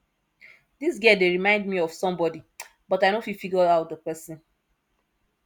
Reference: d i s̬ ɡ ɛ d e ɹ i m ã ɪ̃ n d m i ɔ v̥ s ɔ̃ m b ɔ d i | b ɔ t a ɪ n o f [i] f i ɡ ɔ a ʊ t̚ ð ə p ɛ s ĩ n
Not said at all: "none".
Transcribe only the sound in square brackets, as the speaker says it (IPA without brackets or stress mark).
i